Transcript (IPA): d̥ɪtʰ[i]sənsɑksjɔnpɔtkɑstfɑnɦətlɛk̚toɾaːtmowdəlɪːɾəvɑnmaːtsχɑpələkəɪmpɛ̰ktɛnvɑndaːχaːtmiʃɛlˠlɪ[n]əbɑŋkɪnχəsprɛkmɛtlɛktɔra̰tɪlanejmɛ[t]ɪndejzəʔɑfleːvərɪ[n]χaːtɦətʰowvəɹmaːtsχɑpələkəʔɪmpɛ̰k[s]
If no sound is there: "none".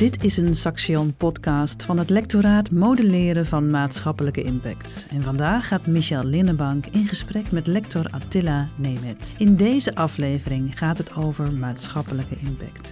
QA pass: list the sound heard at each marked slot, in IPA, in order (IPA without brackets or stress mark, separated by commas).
ɪ, n, t, ŋ, t